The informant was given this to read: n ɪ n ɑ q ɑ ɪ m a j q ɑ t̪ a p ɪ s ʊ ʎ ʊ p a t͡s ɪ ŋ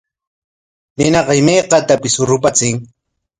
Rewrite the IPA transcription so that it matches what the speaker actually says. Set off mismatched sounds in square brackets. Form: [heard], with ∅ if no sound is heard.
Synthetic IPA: n ɪ n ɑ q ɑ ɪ m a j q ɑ t̪ a p ɪ s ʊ [ɾ] ʊ p a t͡s ɪ ŋ